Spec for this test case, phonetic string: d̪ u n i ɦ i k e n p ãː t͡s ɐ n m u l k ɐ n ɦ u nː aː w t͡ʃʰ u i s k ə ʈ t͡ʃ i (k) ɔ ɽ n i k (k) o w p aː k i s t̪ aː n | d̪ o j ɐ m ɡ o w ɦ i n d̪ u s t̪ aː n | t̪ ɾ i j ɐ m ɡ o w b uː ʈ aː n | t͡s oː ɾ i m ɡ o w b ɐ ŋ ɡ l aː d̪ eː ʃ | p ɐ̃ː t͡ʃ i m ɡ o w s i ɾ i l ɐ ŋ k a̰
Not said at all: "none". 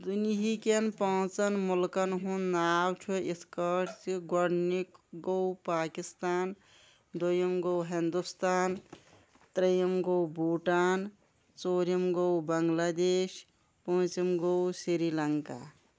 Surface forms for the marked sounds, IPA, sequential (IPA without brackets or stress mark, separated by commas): ɡ, ɡ